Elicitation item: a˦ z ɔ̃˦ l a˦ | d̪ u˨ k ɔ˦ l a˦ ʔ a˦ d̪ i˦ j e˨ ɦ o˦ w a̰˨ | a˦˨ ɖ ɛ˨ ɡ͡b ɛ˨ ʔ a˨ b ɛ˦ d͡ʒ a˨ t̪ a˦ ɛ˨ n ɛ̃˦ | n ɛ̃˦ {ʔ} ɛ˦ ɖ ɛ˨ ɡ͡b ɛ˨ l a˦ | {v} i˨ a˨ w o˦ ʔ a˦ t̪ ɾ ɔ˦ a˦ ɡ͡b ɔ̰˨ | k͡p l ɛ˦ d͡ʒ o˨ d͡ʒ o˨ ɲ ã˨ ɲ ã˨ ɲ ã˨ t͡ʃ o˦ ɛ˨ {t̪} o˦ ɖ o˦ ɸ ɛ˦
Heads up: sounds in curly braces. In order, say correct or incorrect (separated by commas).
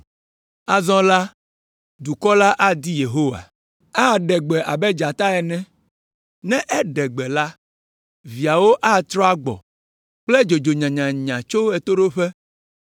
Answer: correct, correct, correct